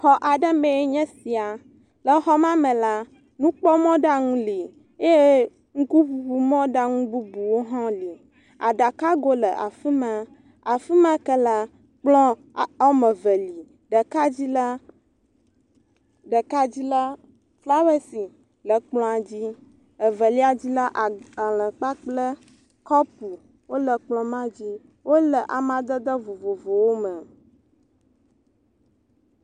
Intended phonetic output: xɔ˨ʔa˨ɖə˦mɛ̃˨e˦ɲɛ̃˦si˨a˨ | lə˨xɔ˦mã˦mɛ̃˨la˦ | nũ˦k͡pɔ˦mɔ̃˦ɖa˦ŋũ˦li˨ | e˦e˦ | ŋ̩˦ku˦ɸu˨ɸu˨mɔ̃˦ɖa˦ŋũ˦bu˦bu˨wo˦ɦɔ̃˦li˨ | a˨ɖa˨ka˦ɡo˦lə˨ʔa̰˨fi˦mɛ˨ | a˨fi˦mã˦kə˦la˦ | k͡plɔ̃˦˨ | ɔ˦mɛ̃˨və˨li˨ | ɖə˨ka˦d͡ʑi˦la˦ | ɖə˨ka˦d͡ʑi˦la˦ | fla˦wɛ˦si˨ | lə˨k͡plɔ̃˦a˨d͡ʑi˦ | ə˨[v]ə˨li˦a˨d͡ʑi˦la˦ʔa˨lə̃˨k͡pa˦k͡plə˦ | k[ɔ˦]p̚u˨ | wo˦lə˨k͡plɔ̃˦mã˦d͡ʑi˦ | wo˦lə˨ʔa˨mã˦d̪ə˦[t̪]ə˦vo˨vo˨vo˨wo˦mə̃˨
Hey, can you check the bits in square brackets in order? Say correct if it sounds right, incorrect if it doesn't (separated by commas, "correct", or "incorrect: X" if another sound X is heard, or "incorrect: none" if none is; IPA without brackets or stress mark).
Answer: correct, correct, incorrect: d̪